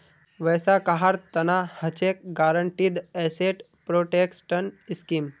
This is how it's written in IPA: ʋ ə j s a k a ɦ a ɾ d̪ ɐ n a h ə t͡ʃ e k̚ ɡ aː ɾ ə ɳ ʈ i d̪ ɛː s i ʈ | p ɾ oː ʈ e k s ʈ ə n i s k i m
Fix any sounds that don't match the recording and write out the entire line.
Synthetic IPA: ʋ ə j s a k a ɦ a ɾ t̪ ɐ n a h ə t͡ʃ e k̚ ɡ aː ɾ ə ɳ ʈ i d̪ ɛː s e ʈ | p ɾ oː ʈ e k s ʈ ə n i s k i m